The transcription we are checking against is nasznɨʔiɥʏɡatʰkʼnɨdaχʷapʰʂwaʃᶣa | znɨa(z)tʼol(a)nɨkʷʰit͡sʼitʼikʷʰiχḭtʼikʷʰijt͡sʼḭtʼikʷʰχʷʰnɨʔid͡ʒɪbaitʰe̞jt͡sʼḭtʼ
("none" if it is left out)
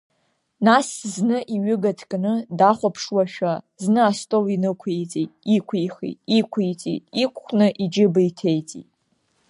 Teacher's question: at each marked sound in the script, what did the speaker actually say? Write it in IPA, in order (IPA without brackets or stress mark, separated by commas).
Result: s, i